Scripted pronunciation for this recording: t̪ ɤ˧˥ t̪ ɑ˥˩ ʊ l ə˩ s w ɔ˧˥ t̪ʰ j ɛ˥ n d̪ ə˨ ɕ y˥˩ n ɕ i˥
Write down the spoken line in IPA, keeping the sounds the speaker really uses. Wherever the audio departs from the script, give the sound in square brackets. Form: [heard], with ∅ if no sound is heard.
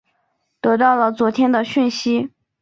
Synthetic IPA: t̪ ɤ˧˥ t̪ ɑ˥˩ ʊ l ə˩ [t͡s] w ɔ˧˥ t̪ʰ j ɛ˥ n d̪ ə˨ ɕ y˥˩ n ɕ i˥